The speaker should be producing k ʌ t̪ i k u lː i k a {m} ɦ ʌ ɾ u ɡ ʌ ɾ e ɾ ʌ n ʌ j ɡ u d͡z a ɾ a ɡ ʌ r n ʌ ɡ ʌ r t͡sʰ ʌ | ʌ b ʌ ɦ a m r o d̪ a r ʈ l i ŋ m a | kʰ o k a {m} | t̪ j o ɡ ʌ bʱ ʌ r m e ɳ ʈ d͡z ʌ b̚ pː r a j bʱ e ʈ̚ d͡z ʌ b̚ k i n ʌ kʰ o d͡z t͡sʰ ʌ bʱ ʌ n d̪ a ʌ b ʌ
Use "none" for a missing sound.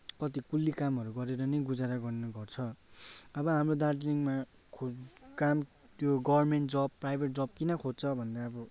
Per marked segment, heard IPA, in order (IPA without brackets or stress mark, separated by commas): m, m